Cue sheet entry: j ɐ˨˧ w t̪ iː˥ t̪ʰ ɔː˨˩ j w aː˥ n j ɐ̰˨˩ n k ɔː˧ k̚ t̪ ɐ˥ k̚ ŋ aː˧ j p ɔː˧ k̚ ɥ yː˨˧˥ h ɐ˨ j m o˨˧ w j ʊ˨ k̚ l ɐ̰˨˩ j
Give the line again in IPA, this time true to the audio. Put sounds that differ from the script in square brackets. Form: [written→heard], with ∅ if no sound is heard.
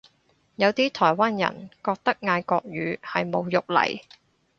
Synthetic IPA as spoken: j ɐ˨˧ w t̪ iː˥ t̪ʰ ɔː˨˩ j w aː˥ n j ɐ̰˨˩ n k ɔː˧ k̚ t̪ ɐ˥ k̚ ŋ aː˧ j [p→k] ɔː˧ k̚ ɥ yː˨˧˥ h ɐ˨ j m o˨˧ w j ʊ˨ k̚ l ɐ̰˨˩ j